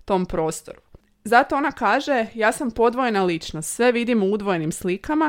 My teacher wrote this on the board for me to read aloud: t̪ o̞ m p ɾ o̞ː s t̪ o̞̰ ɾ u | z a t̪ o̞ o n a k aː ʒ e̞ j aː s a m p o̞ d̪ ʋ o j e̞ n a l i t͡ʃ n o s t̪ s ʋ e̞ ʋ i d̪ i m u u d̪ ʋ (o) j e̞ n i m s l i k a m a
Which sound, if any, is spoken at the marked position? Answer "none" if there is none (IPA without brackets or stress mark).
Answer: o